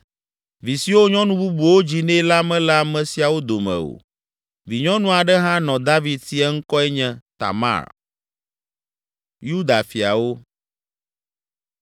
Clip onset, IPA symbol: v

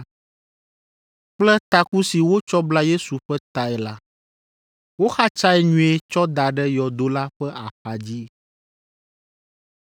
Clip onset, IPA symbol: k͡p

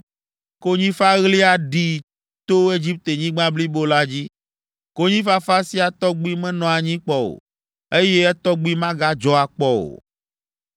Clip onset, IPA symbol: k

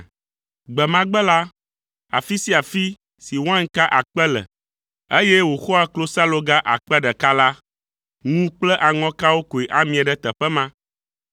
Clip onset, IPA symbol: ɡ͡b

